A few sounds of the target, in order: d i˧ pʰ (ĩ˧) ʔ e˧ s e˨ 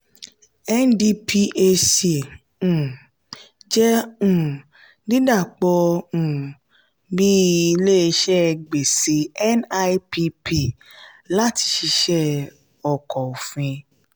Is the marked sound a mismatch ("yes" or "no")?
yes